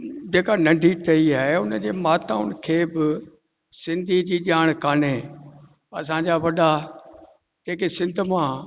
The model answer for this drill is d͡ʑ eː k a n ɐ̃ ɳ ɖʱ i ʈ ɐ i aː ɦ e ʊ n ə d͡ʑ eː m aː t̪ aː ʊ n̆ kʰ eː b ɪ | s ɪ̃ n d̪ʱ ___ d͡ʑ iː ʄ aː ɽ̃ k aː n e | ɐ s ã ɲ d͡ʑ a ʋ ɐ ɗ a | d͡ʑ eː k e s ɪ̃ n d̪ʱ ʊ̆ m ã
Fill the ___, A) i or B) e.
A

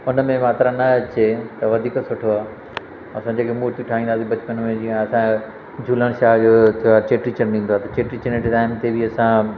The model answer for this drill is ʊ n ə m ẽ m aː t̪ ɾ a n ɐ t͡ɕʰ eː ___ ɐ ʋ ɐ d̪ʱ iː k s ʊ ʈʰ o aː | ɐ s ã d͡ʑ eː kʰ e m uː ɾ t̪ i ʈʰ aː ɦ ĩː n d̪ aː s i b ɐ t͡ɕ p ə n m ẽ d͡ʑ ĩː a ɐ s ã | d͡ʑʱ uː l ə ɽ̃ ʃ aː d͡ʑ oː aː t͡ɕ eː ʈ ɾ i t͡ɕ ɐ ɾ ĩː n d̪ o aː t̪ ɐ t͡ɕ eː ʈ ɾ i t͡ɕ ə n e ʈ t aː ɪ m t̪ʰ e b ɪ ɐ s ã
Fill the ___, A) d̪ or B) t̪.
B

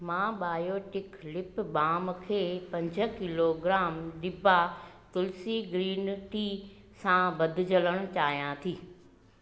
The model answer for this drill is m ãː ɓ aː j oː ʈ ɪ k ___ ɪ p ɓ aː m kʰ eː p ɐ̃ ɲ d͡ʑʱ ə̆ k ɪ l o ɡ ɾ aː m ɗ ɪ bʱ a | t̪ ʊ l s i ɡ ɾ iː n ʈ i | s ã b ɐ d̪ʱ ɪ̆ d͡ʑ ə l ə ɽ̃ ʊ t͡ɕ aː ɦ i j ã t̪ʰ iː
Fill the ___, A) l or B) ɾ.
A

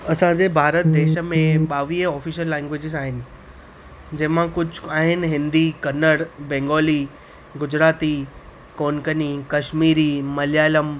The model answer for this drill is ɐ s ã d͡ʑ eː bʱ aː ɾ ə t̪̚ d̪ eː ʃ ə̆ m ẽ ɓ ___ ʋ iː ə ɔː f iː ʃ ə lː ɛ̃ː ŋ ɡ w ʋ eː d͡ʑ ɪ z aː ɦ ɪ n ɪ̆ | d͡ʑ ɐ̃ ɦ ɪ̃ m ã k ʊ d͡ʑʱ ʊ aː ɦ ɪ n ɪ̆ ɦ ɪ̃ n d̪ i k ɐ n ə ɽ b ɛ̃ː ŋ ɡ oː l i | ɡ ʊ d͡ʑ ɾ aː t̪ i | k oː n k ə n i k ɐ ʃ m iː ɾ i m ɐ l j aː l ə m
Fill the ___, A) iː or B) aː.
B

